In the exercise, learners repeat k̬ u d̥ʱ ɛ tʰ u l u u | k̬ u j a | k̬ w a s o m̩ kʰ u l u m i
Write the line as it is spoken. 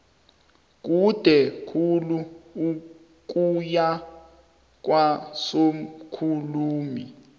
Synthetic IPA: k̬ u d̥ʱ ɛ kʰ u l u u | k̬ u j a | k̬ w a s o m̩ kʰ u l uː m i